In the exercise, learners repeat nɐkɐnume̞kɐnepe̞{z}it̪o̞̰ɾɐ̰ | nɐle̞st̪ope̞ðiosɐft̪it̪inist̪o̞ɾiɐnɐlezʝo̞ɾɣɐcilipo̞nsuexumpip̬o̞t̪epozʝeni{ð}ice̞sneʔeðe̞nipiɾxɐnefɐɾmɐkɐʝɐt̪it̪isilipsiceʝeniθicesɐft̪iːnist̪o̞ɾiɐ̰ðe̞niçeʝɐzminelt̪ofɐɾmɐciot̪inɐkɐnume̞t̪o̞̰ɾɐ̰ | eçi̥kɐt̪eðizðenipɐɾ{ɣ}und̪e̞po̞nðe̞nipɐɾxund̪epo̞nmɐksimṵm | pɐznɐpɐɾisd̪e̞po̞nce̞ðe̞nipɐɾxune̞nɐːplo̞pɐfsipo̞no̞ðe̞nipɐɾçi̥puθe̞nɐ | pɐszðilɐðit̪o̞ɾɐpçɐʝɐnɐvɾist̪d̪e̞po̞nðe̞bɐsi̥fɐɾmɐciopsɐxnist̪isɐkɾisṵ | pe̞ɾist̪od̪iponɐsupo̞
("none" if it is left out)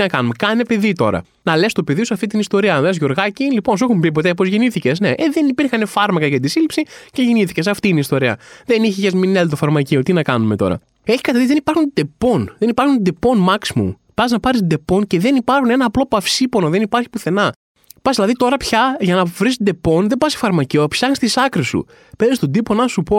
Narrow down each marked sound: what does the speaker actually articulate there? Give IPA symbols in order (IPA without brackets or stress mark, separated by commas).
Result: ð, θ, x